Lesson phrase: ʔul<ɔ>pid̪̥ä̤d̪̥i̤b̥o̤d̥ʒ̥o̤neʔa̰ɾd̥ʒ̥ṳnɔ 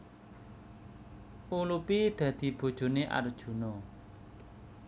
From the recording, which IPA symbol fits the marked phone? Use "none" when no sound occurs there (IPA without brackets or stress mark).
u